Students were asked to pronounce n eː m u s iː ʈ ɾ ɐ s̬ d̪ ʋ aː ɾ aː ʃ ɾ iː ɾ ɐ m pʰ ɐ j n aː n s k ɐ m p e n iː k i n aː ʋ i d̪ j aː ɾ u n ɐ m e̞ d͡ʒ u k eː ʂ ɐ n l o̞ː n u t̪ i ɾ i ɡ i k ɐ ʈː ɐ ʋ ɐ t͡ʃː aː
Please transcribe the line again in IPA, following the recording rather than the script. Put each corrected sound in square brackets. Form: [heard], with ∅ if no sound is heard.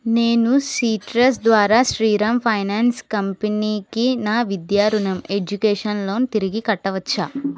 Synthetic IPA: n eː [n] u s iː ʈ ɾ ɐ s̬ d̪ ʋ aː ɾ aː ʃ ɾ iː ɾ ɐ m pʰ ɐ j n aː n s k ɐ m p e n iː k i n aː ʋ i d̪ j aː ɾ u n ɐ m e̞ d͡ʒ u k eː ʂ ɐ n l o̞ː n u t̪ i ɾ i ɡ i k ɐ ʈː ɐ ʋ ɐ t͡ʃː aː